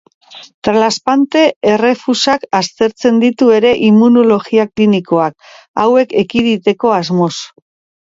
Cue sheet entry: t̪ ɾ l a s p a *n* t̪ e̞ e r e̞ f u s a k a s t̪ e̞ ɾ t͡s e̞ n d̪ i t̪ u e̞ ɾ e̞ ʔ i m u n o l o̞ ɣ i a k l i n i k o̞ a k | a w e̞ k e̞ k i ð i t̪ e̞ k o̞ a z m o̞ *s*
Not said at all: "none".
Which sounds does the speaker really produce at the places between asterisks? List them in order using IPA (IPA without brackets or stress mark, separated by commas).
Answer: n, s